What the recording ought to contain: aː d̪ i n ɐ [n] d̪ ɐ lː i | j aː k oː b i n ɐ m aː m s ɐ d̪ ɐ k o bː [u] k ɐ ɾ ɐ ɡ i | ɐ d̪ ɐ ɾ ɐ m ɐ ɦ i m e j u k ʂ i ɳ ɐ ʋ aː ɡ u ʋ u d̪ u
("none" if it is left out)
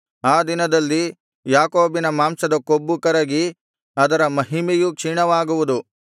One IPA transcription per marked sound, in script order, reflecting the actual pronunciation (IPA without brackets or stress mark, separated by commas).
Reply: none, u